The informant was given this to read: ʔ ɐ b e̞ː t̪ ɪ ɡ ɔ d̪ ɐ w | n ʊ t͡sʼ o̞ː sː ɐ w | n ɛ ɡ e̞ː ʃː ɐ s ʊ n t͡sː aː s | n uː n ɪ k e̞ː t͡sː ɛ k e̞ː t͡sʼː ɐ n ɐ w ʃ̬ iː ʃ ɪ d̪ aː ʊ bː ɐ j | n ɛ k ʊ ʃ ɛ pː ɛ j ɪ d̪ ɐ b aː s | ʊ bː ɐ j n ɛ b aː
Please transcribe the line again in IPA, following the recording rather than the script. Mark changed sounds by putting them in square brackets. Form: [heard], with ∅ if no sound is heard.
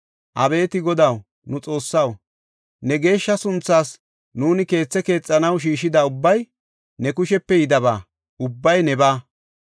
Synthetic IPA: ʔ ɐ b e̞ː t̪ ɪ ɡ ɔ d̪ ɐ w | n ʊ t͡sʼ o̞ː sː ɐ w | n ɛ ɡ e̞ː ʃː ɐ s ʊ n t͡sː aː s | n uː n ɪ k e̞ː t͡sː ɛ k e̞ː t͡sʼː ɐ n ɐ w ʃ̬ iː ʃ ɪ d̪ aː ʊ bː ɐ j | n ɛ k ʊ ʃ ɛ pː ɛ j ɪ d̪ ɐ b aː [∅] | ʊ bː ɐ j n ɛ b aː